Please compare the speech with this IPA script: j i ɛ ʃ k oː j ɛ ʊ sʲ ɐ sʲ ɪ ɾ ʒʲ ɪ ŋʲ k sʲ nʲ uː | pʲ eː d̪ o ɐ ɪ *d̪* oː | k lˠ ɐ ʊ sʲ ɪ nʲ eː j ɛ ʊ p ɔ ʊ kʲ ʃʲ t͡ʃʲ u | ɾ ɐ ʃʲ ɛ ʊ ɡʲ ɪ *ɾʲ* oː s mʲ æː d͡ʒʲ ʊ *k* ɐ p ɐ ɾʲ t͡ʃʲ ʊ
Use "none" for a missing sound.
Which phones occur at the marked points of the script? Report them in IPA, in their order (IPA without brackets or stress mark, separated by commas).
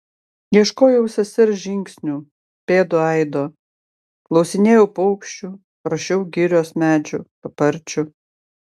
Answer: d̪, ɾʲ, p